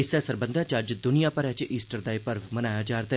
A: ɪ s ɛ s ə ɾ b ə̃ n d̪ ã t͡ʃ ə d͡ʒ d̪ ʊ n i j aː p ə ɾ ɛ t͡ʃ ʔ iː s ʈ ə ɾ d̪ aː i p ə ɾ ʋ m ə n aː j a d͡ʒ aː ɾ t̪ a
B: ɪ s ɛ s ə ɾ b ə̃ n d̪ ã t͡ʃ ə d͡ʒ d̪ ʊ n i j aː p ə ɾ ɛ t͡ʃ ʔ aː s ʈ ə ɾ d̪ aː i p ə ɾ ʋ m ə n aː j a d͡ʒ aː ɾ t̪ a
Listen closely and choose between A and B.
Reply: A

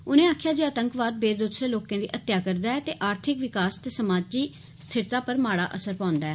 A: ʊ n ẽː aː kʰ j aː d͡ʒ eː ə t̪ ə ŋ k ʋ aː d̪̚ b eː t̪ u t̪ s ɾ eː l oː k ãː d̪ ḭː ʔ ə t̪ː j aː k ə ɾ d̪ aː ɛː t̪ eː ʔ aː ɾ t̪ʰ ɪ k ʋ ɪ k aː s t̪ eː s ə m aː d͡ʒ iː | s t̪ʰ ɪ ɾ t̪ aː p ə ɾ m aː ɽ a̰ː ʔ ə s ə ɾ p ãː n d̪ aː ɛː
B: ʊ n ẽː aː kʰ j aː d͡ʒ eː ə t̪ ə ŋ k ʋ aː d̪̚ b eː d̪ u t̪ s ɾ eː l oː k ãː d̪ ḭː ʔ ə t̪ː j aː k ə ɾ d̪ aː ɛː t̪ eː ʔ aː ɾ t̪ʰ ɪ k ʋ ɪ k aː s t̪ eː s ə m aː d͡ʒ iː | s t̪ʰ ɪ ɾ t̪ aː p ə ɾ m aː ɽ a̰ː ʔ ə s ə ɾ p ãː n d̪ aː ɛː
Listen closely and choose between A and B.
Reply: B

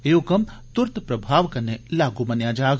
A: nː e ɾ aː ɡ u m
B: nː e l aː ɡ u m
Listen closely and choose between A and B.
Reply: B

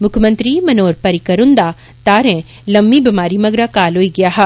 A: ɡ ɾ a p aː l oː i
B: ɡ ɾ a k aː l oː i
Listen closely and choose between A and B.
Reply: B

